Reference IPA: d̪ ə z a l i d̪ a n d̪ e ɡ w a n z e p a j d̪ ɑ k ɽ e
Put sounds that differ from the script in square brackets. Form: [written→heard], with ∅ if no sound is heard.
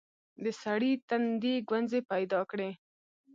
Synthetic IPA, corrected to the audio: d̪ ə [z→s] a [l→ɽ] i [d̪→t̪] a n d̪ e ɡ w a n z e p a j d̪ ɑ k ɽ e